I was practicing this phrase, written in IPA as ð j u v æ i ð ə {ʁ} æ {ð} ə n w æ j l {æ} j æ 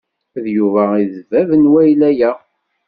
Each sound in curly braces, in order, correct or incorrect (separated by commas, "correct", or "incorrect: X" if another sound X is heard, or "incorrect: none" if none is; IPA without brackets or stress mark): incorrect: v, incorrect: v, correct